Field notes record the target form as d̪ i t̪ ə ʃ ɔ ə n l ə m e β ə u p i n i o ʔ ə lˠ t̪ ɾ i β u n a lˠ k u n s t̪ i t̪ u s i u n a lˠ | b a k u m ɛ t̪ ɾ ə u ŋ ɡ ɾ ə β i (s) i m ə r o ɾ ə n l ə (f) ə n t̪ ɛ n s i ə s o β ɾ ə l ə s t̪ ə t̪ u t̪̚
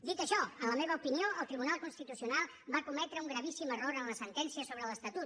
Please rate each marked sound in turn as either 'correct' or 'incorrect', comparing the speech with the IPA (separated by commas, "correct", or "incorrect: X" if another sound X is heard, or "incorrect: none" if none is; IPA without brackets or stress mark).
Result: correct, incorrect: s